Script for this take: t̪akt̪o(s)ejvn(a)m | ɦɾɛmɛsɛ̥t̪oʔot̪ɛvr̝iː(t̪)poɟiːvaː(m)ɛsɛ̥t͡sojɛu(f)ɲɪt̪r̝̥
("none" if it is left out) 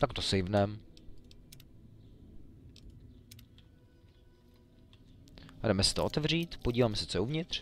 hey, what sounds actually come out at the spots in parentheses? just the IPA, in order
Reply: s, ɛ, t̪, m, v

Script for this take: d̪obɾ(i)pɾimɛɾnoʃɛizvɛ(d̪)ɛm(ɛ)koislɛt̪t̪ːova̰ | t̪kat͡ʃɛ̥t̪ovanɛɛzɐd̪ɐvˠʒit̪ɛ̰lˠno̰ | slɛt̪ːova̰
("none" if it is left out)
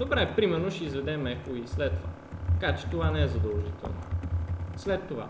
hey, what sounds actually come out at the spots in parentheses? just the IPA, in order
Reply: ɛ, d̪, ɛ

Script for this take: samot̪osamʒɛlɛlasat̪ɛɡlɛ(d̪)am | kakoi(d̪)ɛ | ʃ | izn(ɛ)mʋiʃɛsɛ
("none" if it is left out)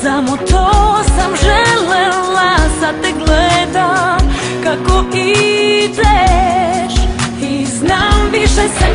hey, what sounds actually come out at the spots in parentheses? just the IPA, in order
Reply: d̪, d̪, a

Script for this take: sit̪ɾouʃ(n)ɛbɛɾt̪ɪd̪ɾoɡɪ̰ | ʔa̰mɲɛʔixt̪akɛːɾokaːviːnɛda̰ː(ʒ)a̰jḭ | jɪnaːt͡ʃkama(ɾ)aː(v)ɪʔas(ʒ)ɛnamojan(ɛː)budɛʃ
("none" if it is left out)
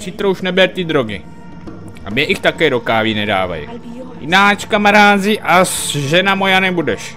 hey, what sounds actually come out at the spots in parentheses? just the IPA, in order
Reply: n, v, ɾ, z, ʒ, ɛ

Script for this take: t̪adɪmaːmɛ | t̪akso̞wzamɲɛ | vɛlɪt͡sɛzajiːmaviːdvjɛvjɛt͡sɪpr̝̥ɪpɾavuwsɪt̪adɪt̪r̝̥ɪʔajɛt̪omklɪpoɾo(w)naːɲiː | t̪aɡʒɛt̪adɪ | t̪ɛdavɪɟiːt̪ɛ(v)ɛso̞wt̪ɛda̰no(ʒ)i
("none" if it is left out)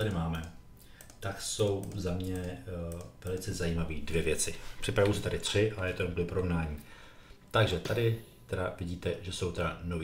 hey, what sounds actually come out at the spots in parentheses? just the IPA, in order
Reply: v, ʒ, v

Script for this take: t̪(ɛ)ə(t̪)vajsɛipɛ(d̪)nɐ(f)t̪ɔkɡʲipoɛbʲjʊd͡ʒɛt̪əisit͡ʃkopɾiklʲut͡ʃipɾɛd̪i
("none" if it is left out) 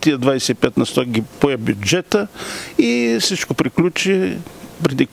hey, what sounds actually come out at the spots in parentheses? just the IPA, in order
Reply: i, d̪, t̪, s

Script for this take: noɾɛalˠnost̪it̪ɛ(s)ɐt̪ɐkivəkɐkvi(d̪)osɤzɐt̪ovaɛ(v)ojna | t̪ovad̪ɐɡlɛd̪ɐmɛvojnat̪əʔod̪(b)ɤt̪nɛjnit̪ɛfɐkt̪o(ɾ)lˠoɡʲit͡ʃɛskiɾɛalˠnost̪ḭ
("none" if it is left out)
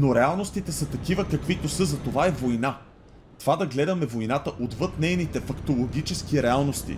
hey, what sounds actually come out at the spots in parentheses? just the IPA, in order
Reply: s, t̪, v, v, none

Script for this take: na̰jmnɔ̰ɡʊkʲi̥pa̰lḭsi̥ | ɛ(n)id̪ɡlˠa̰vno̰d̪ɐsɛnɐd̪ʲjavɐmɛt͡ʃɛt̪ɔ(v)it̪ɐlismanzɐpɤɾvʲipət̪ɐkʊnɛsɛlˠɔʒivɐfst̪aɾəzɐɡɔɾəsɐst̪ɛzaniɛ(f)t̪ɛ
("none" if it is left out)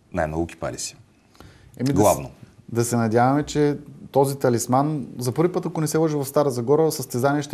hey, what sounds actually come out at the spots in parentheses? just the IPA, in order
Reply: m, z, ʃ

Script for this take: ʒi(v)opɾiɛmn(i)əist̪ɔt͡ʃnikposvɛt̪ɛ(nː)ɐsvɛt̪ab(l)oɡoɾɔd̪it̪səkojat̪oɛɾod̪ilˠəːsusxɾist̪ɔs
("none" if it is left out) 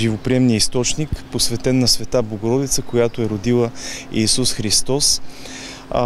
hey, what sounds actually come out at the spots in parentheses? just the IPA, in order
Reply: v, i, nː, l

